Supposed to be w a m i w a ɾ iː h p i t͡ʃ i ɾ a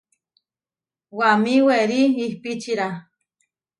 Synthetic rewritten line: w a m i w e ɾ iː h p i t͡ʃ i ɾ a

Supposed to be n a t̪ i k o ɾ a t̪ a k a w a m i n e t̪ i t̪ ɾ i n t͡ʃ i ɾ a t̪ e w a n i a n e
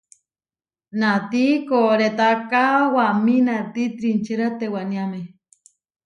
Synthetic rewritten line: n a t̪ i k o ɾ e t̪ a k a w a m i n a t̪ i t̪ ɾ i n t͡ʃ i ɾ a t̪ e w a n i a m e

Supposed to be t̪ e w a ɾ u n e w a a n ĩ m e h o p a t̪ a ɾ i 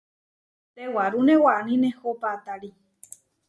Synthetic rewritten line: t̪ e w a ɾ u n e w a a n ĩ n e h o p a t̪ a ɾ i

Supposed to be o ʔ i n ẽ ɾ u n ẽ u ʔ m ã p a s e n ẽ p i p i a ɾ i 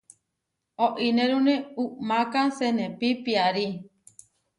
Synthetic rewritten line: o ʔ i n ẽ ɾ u n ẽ u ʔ m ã k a s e n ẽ p i p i a ɾ i

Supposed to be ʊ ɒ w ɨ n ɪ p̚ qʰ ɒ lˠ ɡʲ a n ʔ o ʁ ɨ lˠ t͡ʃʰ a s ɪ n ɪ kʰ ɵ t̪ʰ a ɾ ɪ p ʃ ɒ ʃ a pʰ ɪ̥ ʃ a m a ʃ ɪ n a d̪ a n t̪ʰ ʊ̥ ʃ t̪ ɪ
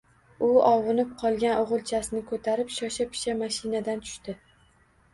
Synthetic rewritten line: ʊ ɒ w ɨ n ɪ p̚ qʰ ɒ lˠ ɡʲ a n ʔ o ʁ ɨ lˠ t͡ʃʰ a s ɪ n ɪ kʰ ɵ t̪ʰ a ɾ ɪ p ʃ ɒ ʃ a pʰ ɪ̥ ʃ a m a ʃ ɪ n a d̪ a n t̪ʰ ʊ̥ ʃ t̪ ɪ

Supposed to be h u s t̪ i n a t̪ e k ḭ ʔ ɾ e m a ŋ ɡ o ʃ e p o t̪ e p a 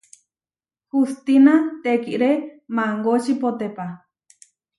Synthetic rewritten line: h u s t̪ i n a t̪ e k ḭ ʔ ɾ e m a ŋ ɡ o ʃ i p o t̪ e p a

